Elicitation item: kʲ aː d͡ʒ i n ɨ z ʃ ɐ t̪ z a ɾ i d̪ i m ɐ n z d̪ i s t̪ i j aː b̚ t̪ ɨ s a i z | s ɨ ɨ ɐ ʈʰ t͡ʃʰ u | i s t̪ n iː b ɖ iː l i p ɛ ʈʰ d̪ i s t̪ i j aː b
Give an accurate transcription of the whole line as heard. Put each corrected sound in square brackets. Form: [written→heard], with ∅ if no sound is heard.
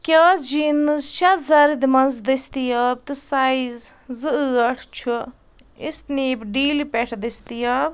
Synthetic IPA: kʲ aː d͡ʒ i n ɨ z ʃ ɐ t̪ z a ɾ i d̪ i m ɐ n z d̪ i s t̪ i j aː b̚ t̪ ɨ s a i z | [s→z] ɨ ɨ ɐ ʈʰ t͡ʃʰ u | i s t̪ n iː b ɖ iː l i p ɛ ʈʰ d̪ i s t̪ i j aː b